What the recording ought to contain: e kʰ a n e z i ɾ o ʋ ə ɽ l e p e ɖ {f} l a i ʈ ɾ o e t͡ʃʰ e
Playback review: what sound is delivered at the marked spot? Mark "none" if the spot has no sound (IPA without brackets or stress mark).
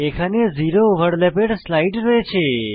s